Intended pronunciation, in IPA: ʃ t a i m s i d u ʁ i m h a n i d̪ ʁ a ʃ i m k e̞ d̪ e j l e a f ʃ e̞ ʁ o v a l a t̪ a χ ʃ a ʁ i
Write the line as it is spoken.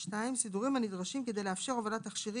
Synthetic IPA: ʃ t a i m s i d u ʁ i m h a n i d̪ ʁ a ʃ i m k e̞ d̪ e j l e a f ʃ e̞ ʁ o v a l a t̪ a χ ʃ i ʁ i